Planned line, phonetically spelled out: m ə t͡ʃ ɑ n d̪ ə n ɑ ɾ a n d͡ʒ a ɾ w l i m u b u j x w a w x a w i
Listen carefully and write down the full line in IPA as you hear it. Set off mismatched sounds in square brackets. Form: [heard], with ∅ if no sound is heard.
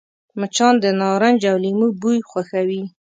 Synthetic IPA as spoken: m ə t͡ʃ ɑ n d̪ ə n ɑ ɾ a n d͡ʒ a [∅] w l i m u b u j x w a [∅] x a w i